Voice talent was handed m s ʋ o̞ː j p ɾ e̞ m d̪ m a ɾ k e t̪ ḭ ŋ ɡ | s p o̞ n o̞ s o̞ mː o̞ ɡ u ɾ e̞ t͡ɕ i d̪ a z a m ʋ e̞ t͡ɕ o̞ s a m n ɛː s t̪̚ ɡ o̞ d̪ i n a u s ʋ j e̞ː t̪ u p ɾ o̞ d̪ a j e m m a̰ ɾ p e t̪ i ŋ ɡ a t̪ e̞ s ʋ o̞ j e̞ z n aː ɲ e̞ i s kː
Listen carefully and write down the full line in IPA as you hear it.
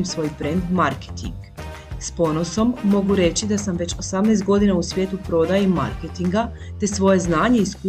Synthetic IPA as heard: m s ʋ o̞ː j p ɾ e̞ n d̪ m a ɾ k e t̪ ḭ ŋ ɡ | s p o̞ n o̞ s o̞ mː o̞ ɡ u ɾ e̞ t͡ɕ i d̪ a s a m ʋ e̞ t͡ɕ o̞ s a m n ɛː s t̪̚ ɡ o̞ d̪ i n a u s ʋ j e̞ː t̪ u p ɾ o̞ d̪ a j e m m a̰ ɾ k e t̪ i ŋ ɡ a t̪ e̞ s ʋ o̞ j e̞ z n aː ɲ e̞ i s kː